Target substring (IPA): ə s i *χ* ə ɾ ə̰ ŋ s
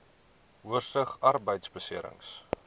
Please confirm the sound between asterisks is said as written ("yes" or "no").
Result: no